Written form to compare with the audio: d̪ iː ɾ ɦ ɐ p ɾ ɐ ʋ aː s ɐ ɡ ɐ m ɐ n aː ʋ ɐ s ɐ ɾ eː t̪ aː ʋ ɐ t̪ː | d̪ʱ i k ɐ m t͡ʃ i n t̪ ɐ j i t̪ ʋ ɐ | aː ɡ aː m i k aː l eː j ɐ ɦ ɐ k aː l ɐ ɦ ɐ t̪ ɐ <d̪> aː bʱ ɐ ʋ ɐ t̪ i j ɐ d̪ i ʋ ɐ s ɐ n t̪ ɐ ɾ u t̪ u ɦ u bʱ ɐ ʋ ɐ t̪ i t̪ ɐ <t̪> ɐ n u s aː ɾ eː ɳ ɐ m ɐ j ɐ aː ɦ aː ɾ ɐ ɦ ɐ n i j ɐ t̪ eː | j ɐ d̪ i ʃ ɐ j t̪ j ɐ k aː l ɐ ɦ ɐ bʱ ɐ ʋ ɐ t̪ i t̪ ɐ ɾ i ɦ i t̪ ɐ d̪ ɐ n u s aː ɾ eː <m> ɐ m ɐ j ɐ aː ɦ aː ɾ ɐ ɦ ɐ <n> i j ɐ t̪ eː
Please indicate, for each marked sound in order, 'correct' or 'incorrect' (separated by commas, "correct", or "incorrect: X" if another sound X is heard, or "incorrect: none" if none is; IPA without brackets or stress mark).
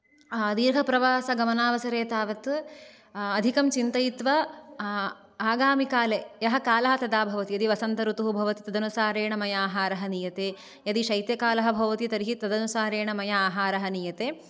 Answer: correct, incorrect: d̪, incorrect: ɳ, correct